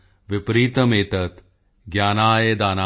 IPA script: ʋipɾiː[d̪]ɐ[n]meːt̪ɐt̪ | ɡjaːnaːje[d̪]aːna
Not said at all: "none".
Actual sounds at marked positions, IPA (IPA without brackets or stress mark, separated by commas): t̪, none, d̪